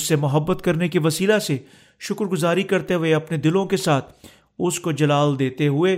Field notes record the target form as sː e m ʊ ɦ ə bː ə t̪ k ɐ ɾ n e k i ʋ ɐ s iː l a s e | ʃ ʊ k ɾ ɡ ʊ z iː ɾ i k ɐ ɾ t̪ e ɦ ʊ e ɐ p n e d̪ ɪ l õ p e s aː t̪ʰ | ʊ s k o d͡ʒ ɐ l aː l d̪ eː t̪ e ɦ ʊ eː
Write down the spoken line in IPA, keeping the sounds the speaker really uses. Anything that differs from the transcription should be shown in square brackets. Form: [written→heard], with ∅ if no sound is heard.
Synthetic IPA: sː e m ʊ ɦ ə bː ə t̪ k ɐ ɾ n e k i ʋ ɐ s iː l a s e | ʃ ʊ k ɾ ɡ ʊ z [iː→aː] ɾ i k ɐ ɾ t̪ e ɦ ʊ e ɐ p n e d̪ ɪ l õ [p→k] e s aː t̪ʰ | ʊ s k o d͡ʒ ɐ l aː l d̪ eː t̪ e ɦ ʊ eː